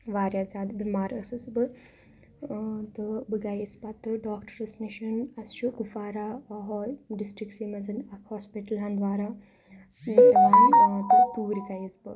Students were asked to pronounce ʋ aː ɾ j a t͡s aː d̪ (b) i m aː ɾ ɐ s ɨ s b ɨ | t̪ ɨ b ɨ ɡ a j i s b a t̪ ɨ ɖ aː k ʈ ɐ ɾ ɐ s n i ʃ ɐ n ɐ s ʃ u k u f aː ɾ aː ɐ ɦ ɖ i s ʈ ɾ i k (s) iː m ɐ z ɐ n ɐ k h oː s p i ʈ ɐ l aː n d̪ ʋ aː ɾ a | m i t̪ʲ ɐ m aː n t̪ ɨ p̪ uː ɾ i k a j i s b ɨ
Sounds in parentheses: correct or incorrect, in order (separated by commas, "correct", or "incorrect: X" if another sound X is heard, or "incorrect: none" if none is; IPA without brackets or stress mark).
correct, correct